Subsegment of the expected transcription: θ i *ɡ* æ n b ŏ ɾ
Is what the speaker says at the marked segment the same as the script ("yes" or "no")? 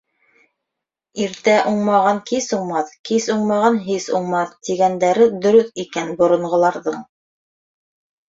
no